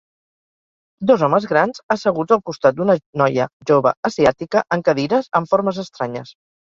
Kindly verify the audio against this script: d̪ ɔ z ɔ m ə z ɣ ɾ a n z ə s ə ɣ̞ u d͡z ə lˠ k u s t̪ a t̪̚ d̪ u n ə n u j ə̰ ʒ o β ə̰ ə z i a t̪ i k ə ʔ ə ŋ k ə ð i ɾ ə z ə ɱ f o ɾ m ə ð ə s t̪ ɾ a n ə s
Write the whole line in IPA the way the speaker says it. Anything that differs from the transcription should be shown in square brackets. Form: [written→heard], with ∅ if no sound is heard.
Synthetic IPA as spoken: d̪ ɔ z ɔ m ə z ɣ ɾ a n z ə s ə ɣ̞ u d͡z ə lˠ k u s t̪ a t̪̚ d̪ u n ə n [u→ɔ] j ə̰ ʒ o β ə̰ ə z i a t̪ i k ə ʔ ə ŋ k ə ð i ɾ ə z ə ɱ f o ɾ m ə [ð→z] ə s t̪ ɾ a [n→ɲ] ə s